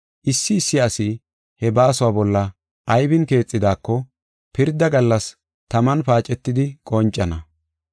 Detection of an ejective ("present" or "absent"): present